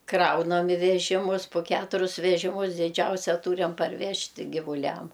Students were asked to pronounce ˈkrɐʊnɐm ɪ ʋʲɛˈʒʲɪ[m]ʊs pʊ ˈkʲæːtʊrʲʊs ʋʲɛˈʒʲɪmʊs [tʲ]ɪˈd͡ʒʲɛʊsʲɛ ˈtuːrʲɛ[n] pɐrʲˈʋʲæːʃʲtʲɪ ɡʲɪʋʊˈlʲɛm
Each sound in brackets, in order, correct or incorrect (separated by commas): correct, incorrect, incorrect